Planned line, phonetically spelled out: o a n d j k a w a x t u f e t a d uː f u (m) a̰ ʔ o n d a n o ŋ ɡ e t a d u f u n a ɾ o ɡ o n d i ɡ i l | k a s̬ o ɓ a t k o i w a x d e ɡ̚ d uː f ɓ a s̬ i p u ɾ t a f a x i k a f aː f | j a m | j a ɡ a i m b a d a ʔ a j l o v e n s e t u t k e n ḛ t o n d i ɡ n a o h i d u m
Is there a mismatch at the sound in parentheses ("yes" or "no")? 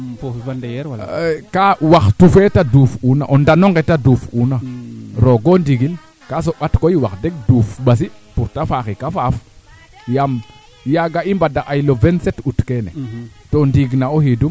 yes